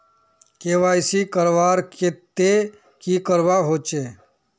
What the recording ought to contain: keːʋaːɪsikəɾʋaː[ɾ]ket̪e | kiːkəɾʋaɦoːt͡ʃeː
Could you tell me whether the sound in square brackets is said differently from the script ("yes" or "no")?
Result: no